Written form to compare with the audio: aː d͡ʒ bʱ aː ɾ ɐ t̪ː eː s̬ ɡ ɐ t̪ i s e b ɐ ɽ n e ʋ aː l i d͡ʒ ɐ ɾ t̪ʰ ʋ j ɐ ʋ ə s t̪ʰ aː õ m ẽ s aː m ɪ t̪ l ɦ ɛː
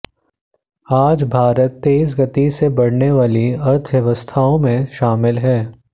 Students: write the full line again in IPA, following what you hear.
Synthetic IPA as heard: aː d͡ʒ bʱ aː ɾ ə t̪ː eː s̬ ɡ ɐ t̪ i s e b ɐ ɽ n e ʋ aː l i ɐ ɾ t̪ʰ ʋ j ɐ ʋ ə s t̪ʰ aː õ m ẽ ʃ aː m ɪ l ɦ ɛː